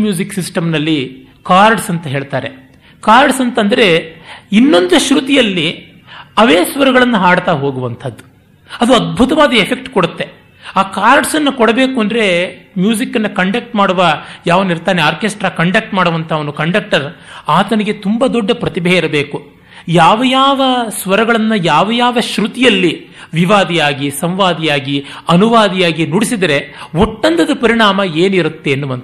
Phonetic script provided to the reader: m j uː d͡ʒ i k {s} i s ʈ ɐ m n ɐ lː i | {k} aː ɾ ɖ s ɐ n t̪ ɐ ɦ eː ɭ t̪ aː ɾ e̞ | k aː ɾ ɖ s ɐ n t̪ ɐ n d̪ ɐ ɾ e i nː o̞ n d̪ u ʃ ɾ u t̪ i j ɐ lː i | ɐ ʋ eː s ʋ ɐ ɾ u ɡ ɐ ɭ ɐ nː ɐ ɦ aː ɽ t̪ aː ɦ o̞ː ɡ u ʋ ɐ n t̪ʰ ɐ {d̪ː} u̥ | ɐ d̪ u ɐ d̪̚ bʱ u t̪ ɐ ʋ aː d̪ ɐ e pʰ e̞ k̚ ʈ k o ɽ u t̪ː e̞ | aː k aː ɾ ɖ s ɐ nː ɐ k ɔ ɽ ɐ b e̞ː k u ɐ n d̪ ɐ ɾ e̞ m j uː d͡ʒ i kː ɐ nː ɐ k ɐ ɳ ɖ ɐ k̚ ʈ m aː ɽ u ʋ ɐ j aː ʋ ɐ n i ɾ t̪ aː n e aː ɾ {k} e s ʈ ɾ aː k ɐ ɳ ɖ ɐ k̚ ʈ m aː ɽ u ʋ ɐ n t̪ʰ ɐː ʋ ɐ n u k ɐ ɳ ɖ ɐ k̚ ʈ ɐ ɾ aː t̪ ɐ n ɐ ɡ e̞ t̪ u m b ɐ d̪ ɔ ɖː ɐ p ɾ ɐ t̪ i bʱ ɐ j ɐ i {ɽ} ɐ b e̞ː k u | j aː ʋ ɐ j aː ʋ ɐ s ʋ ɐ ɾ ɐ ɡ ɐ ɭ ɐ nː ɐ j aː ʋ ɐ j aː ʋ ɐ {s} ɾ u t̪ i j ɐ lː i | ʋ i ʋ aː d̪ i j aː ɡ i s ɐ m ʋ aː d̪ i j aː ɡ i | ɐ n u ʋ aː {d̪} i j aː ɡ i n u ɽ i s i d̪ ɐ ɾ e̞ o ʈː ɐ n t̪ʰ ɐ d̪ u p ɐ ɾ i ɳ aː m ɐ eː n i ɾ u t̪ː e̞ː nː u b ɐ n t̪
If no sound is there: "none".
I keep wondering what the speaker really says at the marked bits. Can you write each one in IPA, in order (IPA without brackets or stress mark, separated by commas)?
s, k, d̪ː, k, ɾ, ʃ, d̪